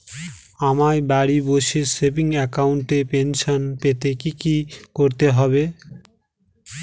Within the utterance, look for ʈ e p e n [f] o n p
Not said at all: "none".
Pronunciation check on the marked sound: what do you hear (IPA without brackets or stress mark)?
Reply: ʃ